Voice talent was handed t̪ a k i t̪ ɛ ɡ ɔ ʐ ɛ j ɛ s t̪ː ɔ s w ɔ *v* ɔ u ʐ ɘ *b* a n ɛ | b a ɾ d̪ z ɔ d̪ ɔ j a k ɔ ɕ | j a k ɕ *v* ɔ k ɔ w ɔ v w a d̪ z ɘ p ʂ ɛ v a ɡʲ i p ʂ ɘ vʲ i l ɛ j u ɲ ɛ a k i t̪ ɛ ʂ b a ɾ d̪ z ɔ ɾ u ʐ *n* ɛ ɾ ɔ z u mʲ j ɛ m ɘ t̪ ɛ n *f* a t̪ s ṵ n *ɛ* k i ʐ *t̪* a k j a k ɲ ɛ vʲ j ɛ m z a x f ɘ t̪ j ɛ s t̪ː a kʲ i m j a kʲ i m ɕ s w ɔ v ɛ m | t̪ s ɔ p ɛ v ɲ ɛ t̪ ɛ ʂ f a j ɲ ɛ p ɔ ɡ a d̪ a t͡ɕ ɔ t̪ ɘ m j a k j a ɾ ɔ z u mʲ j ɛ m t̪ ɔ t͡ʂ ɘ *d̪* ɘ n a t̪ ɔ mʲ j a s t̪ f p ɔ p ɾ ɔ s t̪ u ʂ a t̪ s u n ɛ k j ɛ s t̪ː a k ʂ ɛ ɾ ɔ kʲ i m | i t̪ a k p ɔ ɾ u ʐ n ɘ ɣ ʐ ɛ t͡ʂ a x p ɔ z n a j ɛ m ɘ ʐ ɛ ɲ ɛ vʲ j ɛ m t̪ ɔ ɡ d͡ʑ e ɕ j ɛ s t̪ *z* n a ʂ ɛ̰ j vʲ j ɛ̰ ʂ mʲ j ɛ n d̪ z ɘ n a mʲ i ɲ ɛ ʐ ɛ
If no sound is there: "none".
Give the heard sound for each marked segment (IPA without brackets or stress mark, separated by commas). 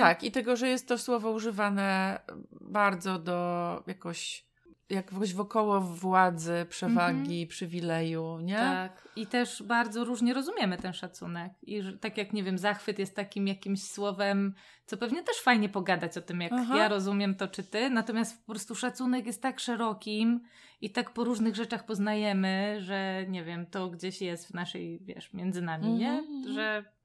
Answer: v, v, v, ɲ, ʂ, ɛ, t̪, t̪, v